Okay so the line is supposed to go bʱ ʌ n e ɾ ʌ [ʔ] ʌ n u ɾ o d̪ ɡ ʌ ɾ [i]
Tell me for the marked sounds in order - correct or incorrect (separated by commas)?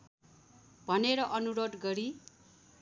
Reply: correct, correct